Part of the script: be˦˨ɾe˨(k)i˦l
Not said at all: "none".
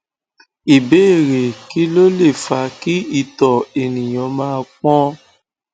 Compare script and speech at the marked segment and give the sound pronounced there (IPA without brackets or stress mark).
k